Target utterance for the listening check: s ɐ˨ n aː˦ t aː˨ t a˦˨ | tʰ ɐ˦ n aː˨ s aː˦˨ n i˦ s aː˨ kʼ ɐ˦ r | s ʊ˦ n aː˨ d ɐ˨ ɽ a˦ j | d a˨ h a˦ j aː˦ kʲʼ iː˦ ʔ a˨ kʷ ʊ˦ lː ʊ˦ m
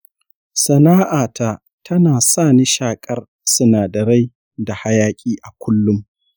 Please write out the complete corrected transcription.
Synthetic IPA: s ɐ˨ n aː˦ ʔ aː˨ t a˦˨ | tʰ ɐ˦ n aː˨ s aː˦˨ n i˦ ʃ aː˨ kʼ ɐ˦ r | s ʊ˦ n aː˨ d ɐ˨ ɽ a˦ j | d a˨ h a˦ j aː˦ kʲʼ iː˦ ʔ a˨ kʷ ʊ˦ lː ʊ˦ m

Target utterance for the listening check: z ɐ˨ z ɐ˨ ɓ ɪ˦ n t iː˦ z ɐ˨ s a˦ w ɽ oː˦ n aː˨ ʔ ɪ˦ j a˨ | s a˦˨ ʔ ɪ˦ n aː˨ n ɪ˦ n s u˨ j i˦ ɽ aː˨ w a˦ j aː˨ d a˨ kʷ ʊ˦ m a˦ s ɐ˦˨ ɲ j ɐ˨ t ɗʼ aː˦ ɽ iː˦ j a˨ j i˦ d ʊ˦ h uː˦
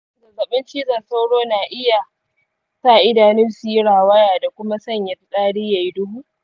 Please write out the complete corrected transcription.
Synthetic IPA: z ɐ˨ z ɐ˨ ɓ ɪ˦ n t͡ʃ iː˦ z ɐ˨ s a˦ w ɽ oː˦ n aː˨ ʔ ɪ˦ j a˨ | s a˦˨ ʔ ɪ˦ d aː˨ n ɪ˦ n s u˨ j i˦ ɽ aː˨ w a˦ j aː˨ d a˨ kʷ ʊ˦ m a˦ s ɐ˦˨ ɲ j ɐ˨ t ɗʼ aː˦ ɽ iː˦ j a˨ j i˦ d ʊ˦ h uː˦

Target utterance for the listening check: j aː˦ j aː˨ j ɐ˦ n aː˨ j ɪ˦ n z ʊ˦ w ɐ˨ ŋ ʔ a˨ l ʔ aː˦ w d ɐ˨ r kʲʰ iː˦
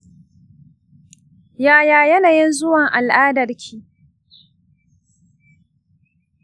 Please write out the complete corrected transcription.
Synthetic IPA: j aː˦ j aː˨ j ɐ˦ n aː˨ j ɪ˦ n z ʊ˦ w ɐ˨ ŋ ʔ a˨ l ʔ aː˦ d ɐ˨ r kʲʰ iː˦

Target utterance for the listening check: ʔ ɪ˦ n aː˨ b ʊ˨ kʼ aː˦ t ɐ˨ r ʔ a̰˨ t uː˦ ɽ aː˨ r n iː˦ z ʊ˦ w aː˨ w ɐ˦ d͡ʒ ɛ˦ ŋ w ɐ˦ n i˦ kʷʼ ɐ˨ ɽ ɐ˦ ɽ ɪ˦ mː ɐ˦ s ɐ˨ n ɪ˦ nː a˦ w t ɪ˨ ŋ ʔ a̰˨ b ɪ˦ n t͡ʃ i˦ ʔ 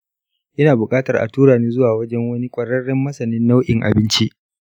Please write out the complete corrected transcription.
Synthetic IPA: ʔ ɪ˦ n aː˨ b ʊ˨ kʼ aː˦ t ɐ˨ r ʔ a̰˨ t uː˦ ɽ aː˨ n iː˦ z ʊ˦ w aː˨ w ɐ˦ d͡ʒ ɛ˦ ŋ w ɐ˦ n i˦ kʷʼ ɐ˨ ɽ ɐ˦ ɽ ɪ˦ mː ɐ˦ s ɐ˨ n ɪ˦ nː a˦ w ʔ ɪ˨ ŋ ʔ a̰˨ b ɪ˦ n t͡ʃ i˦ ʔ

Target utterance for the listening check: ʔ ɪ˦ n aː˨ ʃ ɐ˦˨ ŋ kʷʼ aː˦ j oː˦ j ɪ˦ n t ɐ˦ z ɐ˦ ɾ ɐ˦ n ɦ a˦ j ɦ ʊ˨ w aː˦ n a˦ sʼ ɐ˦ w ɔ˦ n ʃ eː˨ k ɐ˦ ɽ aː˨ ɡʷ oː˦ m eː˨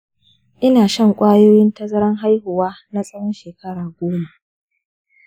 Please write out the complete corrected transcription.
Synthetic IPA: ʔ ɪ˦ n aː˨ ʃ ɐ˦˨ ŋ kʷʼ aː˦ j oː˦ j ɪ˦ n t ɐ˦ z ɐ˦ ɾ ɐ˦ ŋ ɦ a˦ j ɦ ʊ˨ w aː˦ n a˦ sʼ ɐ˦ w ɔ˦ n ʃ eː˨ k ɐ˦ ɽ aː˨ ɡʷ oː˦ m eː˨

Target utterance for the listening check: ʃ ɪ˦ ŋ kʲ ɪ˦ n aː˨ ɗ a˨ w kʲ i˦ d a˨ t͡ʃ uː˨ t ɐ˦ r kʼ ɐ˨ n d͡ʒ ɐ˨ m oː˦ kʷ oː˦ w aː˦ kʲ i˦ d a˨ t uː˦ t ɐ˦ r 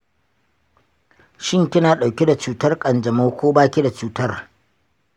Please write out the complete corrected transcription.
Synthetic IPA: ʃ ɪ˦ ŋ kʲ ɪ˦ n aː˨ ɗ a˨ w kʲ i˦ d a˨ t͡ʃ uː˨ t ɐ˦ r kʼ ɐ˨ n d͡ʒ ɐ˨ m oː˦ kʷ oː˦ b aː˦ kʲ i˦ d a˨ t͡ʃ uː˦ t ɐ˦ r

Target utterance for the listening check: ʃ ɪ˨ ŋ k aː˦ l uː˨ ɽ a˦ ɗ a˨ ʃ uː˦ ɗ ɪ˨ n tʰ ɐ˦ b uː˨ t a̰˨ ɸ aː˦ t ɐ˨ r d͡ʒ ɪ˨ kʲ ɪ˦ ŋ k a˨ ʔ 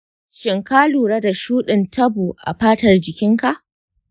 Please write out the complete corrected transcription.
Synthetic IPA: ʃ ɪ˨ ŋ k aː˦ l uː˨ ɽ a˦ d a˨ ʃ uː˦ ɗ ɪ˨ n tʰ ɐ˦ b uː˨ ʔ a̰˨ ɸ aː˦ t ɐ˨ r d͡ʒ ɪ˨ kʲ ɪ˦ ŋ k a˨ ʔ

